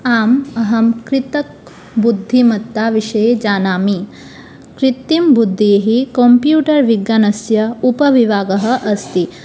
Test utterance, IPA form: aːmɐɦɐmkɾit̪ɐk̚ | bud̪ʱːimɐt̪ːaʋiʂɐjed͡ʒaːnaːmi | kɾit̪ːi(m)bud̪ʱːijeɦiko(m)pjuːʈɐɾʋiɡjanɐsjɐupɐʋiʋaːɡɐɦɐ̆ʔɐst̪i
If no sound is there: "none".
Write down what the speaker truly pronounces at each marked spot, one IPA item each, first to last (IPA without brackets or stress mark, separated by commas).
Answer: m, m